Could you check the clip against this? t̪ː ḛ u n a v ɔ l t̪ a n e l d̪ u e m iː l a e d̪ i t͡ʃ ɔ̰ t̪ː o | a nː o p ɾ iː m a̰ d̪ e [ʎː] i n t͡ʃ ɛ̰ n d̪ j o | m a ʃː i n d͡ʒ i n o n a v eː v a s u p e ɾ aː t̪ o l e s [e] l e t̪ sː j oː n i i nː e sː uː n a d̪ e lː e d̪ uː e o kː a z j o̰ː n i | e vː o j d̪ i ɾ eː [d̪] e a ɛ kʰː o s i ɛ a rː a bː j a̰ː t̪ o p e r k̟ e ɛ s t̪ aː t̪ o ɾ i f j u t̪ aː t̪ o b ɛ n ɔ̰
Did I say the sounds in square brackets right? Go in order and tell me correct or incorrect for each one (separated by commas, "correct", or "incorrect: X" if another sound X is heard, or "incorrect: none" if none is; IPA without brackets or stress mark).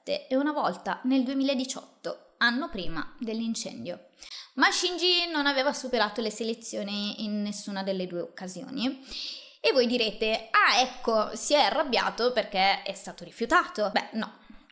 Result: incorrect: lː, correct, incorrect: t̪